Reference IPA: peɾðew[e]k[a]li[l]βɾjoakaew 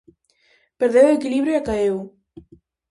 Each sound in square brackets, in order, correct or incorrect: correct, incorrect: i, incorrect: none

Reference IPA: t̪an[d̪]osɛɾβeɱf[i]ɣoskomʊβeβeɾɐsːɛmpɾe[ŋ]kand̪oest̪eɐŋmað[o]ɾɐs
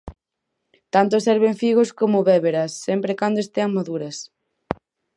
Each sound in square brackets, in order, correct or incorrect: incorrect: t̪, correct, incorrect: none, incorrect: u

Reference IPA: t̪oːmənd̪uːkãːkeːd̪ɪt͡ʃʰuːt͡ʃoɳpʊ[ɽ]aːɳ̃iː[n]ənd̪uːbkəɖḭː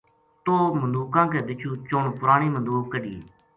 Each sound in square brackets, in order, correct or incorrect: incorrect: ɾ, incorrect: m

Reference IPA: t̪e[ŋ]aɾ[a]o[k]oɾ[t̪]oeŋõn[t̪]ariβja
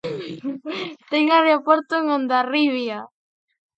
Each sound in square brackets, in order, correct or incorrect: correct, incorrect: e, incorrect: p, correct, incorrect: d̪

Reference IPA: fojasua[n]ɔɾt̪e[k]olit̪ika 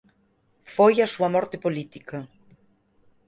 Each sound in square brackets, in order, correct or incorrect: incorrect: m, incorrect: p

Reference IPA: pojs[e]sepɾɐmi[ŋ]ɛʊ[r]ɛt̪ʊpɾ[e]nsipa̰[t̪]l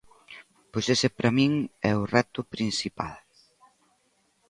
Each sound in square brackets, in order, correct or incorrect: correct, correct, correct, incorrect: i, incorrect: none

